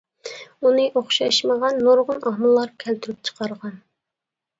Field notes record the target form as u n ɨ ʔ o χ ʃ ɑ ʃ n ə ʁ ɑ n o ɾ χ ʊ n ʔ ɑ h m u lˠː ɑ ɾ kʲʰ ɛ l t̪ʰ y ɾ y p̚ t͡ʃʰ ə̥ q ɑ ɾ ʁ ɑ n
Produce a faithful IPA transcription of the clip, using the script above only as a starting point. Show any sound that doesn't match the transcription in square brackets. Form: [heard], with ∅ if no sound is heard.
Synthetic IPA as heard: u n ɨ ʔ o χ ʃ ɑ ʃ [m] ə ʁ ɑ [nː] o ɾ [ʁ] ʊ n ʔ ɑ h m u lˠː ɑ ɾ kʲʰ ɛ l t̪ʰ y ɾ y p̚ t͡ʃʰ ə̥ q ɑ ɾ ʁ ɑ n